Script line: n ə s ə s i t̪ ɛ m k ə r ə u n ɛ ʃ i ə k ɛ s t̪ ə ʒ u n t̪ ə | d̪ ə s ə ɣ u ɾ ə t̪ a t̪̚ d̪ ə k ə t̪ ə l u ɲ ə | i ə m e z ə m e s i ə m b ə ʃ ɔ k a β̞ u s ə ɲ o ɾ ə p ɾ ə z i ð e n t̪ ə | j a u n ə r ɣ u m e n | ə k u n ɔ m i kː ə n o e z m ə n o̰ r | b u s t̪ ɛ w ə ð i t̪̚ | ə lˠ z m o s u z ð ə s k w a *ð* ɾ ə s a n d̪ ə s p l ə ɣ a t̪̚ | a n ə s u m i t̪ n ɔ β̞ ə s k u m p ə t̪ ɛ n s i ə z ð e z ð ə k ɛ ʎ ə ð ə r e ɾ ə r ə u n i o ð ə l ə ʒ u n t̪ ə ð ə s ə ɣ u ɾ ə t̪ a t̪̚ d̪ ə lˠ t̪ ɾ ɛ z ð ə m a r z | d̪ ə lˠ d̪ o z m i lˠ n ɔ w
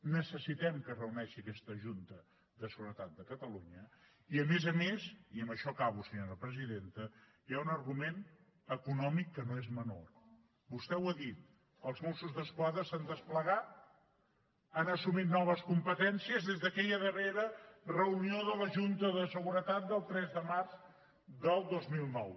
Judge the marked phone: correct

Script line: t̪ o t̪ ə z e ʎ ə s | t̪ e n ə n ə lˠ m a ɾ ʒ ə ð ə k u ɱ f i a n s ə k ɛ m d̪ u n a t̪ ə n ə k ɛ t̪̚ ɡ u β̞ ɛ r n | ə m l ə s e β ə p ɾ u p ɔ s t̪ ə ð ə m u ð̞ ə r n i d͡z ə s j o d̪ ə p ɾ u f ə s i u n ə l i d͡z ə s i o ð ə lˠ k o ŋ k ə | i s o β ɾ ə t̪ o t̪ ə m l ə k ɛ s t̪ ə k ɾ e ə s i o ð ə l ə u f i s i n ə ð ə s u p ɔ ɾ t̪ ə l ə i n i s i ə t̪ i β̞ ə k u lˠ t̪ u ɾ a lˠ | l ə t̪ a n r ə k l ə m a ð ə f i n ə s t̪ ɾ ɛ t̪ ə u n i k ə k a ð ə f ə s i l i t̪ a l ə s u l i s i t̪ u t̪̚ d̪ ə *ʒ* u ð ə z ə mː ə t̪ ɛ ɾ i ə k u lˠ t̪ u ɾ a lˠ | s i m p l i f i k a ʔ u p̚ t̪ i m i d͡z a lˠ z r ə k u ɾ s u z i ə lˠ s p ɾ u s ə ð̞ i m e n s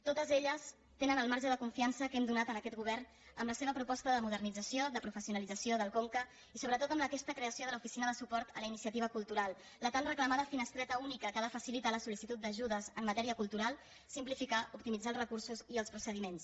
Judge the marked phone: correct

